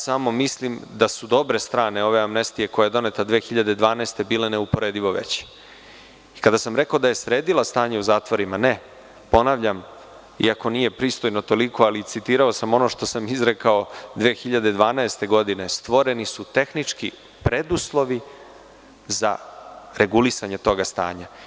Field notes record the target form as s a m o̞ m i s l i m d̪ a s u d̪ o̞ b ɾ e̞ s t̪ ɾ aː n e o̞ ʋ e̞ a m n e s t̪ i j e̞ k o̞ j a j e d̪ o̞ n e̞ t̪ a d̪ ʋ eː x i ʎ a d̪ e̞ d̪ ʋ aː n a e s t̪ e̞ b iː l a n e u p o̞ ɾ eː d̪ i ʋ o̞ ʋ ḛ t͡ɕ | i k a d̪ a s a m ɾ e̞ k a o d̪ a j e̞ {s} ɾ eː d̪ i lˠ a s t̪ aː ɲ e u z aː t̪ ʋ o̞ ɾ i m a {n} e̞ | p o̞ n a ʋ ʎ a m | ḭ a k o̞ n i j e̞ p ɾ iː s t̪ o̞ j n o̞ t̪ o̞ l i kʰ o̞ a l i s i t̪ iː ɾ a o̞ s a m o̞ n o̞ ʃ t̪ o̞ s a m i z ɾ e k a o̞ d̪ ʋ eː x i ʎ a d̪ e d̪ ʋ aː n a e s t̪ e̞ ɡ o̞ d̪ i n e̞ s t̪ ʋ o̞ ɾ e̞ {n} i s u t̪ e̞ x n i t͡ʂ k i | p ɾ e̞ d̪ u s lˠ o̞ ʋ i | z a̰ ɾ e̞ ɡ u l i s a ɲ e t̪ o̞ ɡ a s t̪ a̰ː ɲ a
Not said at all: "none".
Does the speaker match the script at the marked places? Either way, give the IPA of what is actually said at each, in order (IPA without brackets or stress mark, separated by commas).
s, n, n